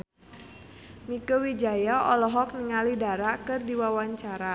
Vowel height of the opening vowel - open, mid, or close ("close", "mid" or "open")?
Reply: close